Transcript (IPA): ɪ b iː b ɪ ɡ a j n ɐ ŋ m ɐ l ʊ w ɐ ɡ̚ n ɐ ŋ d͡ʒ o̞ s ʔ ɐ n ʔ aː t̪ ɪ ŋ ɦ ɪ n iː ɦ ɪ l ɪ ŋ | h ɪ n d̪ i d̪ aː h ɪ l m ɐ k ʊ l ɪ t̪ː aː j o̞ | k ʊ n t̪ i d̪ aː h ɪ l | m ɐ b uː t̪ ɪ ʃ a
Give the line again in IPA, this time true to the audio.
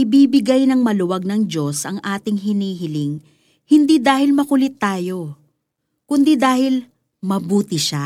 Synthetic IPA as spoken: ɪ b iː b ɪ ɡ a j n ɐ ŋ m ɐ l ʊ w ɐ ɡ̚ n ɐ ŋ d͡ʒ o̞ s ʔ ɐ ŋ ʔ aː t̪ ɪ ŋ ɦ ɪ n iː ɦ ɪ l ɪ ŋ | h ɪ n d̪ i d̪ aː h ɪ l m ɐ k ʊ l ɪ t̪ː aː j o̞ | k ʊ n d̪ i d̪ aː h ɪ l | m ɐ b uː t̪ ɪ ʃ a